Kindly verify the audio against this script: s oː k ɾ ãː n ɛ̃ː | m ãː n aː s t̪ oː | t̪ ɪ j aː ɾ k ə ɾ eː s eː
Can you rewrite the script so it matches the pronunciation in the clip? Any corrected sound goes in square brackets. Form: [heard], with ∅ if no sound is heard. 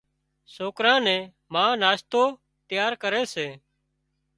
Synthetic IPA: s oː k ɾ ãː n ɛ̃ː | m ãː n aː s t̪ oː | t̪ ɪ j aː ɾ k ə ɾ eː s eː